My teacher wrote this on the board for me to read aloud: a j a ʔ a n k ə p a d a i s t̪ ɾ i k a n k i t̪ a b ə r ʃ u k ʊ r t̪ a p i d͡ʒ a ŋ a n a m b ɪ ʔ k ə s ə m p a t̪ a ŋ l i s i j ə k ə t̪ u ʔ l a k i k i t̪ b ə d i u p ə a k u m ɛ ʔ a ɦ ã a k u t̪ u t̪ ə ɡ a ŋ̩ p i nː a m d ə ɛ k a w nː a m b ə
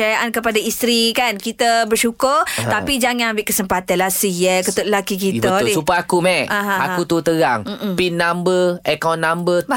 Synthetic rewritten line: a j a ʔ a n k ə p a d a i s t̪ ɾ i k a n k i t̪ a b ə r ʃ u k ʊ r t̪ a p i d͡ʒ a ŋ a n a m b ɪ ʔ k ə s ə m p a t̪ a n l a s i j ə k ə t̪ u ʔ l a k i k i t̪ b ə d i u p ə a k u m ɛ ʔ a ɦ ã a k u t̪ u t̪ ə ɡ a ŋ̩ p i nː a m b ə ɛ k a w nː a m b ə